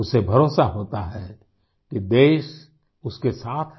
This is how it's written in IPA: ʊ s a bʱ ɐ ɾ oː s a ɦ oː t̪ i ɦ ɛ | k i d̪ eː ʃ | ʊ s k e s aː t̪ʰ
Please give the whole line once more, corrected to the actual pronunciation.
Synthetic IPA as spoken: ʊ s e bʱ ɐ ɾ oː s a ɦ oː t̪ a ɦ ɛ | k i d̪ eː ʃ | ʊ s k e s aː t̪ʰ